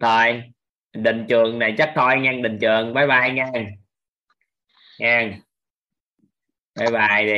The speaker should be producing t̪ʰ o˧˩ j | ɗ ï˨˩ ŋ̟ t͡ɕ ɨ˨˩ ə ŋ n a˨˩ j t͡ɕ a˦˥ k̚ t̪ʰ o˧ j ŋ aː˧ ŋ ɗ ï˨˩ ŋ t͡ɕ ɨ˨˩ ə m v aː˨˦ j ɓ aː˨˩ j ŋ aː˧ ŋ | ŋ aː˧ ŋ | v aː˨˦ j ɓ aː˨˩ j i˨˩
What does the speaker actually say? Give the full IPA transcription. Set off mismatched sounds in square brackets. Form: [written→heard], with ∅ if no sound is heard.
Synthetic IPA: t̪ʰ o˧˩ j | ɗ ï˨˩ ŋ̟ t͡ɕ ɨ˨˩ ə ŋ n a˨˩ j t͡ɕ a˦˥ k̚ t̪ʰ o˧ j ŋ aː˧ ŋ ɗ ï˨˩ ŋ t͡ɕ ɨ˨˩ ə [m→ŋ] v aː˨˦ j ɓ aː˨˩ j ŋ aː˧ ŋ | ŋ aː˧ ŋ | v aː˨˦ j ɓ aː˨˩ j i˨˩